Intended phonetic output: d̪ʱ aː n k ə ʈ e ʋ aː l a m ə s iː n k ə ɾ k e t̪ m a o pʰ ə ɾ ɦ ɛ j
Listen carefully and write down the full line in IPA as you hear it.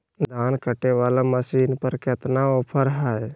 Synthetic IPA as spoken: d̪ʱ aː n k ə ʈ e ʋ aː l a m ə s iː n p ə ɾ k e t̪ n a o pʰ ə ɾ ɦ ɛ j